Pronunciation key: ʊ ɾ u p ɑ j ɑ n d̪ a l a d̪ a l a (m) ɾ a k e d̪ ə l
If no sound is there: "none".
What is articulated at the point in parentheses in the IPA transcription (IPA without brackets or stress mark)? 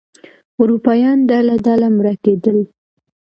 m